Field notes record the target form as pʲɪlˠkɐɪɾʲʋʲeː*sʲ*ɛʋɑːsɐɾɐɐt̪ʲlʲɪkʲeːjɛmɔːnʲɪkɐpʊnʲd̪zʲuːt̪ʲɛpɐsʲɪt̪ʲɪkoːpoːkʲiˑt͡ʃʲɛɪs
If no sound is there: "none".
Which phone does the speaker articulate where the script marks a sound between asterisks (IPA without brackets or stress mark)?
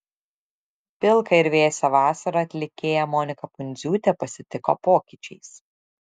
sʲ